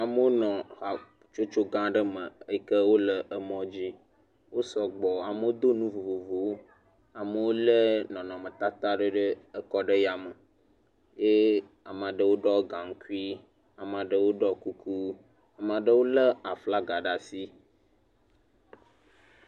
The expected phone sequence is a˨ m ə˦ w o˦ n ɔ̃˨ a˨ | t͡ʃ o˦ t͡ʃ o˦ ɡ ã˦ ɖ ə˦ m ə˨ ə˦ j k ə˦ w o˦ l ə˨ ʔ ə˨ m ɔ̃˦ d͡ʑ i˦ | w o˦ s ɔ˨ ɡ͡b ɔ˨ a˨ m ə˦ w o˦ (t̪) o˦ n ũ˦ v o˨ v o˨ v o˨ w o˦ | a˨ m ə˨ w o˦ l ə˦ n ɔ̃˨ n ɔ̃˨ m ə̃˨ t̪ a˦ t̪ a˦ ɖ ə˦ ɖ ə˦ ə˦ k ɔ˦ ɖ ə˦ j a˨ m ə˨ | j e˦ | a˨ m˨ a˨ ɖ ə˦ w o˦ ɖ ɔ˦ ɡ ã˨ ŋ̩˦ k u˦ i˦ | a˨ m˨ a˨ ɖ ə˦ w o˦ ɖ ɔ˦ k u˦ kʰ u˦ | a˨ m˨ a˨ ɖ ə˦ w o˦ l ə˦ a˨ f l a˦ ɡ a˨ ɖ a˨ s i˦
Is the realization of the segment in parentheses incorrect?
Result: yes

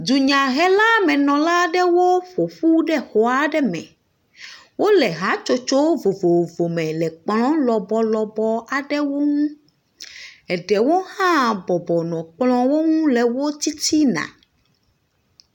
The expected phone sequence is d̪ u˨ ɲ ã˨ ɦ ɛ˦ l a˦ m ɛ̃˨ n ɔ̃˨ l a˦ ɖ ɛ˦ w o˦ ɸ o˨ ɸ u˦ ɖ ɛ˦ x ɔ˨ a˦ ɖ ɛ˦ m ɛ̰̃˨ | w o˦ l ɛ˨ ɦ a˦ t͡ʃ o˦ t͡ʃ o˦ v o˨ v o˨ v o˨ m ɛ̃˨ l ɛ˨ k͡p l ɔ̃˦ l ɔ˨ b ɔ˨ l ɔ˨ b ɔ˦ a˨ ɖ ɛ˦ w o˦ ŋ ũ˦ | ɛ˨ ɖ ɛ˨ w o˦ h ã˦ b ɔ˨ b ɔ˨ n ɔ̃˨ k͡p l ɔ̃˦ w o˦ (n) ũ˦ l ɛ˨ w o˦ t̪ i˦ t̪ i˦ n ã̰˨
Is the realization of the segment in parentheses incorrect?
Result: yes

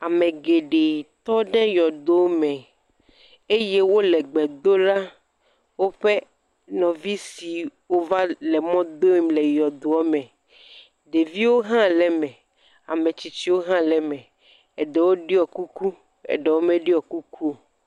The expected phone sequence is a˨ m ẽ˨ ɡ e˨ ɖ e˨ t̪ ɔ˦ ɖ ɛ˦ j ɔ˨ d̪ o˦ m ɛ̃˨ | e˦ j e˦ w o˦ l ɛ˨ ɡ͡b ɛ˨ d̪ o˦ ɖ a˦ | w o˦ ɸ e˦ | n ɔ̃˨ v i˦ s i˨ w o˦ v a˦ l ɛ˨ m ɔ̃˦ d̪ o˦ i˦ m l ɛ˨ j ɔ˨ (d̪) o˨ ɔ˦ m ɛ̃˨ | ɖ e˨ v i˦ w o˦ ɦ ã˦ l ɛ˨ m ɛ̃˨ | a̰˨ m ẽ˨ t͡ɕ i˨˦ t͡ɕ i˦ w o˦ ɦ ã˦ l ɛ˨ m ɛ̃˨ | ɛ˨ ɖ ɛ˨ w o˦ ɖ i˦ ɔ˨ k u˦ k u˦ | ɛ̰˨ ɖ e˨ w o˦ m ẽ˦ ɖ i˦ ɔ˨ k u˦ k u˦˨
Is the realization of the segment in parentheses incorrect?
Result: no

